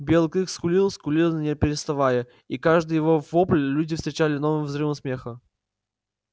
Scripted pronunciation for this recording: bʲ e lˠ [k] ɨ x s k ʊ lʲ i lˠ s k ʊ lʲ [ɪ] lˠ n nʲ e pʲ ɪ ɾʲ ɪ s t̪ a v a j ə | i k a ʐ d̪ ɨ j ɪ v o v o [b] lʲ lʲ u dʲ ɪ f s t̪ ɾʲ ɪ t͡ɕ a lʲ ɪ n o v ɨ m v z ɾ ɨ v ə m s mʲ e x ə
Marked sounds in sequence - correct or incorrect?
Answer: correct, incorrect: i, incorrect: p

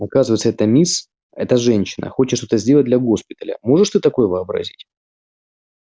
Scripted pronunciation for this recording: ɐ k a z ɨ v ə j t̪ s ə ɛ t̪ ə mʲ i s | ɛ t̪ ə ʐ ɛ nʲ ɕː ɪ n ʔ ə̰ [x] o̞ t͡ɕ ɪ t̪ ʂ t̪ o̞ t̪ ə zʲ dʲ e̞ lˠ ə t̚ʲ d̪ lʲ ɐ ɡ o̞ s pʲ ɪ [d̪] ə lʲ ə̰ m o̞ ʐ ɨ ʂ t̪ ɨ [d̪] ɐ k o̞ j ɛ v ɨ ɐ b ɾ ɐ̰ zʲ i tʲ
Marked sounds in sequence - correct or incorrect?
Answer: correct, incorrect: t̪, incorrect: t̪

